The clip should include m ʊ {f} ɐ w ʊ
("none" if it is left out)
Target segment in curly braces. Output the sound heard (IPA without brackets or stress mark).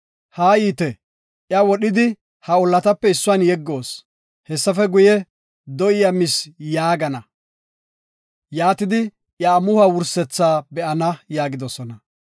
h